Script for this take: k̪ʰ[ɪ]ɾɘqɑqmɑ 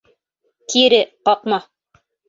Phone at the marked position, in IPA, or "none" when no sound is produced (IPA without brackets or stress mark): i